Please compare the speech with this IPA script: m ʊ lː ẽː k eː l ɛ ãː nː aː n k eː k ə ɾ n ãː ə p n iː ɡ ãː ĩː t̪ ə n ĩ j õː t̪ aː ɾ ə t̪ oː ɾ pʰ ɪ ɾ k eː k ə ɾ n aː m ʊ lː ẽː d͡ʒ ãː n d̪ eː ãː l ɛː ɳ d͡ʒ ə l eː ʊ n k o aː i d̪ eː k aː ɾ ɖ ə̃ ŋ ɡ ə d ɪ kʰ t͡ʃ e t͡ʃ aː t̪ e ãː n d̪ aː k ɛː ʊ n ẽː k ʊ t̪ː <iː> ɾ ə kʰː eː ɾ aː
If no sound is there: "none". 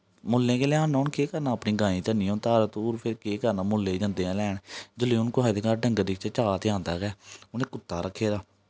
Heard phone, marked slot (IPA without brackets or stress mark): aː